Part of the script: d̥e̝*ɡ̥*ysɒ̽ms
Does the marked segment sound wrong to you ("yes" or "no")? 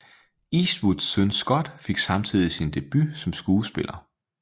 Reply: yes